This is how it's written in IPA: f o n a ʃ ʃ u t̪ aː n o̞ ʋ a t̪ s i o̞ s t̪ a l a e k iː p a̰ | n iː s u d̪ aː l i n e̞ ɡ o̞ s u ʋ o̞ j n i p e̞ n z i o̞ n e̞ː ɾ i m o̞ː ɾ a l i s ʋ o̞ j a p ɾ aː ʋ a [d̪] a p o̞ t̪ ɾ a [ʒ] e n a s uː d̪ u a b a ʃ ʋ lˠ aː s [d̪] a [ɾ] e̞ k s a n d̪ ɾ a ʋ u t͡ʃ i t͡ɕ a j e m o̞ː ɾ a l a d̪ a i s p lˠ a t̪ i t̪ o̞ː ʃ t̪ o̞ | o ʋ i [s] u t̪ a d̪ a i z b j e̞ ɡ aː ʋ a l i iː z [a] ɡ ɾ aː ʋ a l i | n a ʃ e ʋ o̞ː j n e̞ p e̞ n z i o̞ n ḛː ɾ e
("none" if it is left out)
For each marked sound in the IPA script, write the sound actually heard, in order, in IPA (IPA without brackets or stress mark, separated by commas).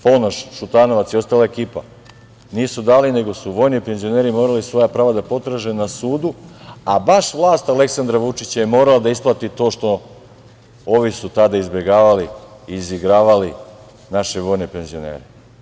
d̪, ʒ, t̪, l, s, i